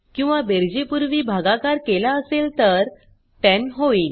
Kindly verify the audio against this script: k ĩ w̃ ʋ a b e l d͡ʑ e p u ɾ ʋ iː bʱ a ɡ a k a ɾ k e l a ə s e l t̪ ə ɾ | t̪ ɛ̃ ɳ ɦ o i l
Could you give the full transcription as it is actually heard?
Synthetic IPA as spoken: k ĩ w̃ ʋ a b e ɾ d͡ʑ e p u ɾ ʋ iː bʱ a ɡ a k a ɾ k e l a ə s e l t̪ ə ɾ | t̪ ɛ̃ n ɦ o i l